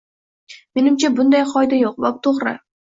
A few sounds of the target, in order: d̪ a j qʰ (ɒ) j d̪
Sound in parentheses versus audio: correct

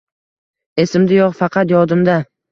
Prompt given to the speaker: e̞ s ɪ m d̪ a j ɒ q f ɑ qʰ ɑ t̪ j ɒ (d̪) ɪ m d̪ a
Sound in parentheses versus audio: correct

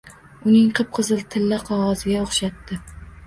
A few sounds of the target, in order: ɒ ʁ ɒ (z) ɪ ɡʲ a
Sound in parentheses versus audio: correct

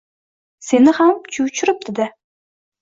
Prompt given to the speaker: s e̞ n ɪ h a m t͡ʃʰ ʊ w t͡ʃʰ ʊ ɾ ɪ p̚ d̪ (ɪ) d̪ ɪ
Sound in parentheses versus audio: correct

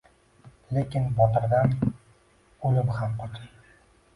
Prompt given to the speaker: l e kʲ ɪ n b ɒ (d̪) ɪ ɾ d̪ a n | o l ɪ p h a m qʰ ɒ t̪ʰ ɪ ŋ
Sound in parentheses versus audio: incorrect: t̪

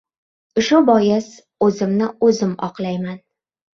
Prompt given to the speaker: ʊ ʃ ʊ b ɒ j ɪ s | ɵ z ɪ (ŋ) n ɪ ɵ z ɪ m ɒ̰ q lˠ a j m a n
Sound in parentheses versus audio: incorrect: m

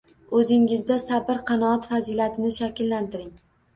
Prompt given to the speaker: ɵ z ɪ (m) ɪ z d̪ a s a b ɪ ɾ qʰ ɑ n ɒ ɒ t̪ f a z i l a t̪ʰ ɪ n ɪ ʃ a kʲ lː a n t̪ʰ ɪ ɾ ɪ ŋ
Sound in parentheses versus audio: incorrect: ŋ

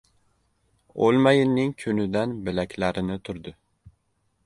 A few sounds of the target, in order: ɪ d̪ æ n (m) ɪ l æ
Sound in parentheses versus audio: incorrect: b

